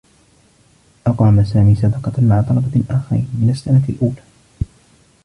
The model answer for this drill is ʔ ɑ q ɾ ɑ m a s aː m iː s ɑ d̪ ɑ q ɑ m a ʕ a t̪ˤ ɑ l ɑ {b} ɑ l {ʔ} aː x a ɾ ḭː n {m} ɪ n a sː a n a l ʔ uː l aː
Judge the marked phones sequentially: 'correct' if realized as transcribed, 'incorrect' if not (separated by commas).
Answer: correct, correct, correct